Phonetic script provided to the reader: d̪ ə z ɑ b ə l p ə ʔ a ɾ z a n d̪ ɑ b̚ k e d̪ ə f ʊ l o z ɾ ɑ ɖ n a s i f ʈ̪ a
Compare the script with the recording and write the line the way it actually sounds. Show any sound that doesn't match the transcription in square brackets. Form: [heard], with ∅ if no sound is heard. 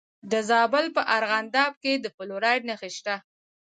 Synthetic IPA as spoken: d̪ ə z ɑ b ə l p ə ʔ a ɾ [ɣ] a n d̪ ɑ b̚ k e d̪ ə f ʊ l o [∅] ɾ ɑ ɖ n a [x] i [ʃ] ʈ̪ a